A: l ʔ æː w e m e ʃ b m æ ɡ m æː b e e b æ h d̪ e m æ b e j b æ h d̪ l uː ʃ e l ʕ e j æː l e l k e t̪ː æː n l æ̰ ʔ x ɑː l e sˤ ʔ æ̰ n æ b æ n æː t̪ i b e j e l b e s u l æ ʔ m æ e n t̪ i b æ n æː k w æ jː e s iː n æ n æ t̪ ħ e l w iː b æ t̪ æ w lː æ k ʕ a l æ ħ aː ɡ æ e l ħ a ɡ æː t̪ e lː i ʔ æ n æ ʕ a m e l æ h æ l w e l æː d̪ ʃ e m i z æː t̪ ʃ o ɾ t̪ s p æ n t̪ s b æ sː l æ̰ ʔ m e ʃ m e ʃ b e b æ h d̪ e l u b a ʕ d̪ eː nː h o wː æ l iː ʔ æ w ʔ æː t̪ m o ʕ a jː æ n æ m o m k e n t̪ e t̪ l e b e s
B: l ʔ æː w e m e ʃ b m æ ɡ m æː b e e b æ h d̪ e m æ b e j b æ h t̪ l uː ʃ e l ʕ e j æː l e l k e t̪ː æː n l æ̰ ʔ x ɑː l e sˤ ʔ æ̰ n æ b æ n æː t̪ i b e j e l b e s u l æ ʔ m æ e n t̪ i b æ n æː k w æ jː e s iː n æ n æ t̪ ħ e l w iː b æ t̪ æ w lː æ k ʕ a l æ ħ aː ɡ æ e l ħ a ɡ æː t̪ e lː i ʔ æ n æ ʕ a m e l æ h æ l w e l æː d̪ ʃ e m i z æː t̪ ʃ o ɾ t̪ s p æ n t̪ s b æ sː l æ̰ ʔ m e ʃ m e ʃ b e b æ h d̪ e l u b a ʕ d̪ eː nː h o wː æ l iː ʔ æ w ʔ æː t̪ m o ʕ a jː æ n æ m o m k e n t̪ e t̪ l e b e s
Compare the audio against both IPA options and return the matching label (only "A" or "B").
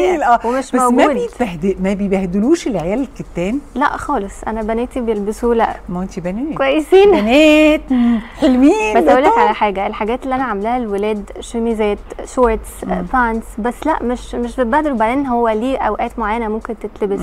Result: A